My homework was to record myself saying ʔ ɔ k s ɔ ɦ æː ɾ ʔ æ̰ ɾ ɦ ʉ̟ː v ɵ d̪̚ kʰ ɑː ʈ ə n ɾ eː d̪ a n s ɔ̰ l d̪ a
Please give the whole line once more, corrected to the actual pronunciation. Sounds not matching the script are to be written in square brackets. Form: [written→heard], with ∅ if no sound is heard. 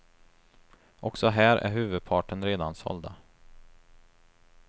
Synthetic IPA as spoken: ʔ ɔ k s ɔ ɦ æː ɾ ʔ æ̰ ɾ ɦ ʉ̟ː v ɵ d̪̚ [kʰ→pʰ] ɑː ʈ ə n ɾ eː d̪ a n s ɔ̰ l d̪ a